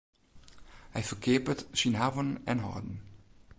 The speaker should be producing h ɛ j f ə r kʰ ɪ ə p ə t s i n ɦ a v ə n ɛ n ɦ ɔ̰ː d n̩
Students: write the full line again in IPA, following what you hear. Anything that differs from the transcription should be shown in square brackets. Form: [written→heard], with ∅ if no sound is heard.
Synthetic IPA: h ɛ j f ə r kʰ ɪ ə p ə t s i n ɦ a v ə n ɛ n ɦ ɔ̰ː d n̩